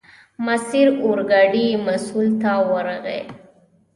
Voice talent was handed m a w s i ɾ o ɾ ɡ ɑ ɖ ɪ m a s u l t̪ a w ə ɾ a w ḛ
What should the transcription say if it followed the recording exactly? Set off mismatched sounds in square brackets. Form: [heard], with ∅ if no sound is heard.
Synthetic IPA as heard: m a [∅] s i ɾ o ɾ ɡ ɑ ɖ [i] m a s u l t̪ a w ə ɾ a [ɣ] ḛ

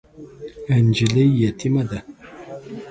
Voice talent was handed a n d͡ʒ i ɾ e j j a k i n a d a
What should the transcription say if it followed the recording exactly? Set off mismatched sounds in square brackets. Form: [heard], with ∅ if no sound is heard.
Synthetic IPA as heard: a n d͡ʒ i [l] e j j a [t] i [m] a d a

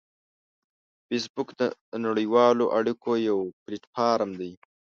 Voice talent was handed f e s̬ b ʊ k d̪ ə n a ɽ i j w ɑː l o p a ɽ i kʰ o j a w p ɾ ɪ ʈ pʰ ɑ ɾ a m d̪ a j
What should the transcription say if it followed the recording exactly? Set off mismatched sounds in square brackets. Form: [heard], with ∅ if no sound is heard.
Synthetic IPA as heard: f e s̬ b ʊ k d̪ ə n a ɽ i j w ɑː l o [ʔ] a ɽ i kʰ o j a w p ɾ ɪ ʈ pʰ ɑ ɾ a m d̪ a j

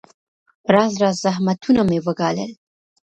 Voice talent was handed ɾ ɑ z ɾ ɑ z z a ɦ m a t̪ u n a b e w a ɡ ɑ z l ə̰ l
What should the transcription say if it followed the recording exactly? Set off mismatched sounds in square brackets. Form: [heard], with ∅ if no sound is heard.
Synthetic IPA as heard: ɾ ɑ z ɾ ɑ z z a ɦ m a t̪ u n a [m] e w [ə] ɡ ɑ [∅] l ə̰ l

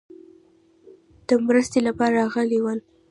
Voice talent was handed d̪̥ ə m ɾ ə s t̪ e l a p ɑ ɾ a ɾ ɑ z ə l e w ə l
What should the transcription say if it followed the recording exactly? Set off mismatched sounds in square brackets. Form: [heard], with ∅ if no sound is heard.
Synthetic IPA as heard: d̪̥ ə m ɾ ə s t̪ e l a p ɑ ɾ a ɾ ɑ [ɣ] ə l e w ə l

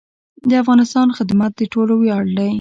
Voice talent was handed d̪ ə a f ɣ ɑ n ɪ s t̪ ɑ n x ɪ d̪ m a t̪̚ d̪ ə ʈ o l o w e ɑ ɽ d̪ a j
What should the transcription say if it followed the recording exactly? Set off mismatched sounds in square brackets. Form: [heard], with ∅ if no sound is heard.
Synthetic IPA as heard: d̪ ə a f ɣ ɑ n ɪ s t̪ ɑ n x ɪ d̪ m a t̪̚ d̪ ə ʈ o l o w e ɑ ɽ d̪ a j

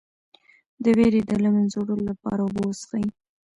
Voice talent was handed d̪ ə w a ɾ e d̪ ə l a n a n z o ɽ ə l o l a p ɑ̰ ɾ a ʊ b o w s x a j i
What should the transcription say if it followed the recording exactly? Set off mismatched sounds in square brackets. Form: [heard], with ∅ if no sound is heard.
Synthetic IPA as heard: d̪ ə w [e] ɾ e d̪ ə l a [m] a n z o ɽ ə l o l a p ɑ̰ ɾ a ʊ b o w s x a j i

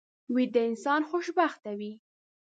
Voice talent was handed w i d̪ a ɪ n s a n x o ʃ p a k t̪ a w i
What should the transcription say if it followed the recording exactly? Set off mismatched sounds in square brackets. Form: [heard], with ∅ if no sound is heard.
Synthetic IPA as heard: w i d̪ [ə] ɪ n s [ɑ] n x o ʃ [b] a [x] t̪ a w i

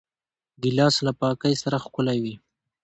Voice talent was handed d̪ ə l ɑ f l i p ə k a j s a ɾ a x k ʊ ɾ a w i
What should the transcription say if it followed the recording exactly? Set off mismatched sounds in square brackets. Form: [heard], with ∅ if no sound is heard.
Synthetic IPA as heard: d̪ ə l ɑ [s] l [a] p [ɑ] k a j s a ɾ a x k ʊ [l] a w i

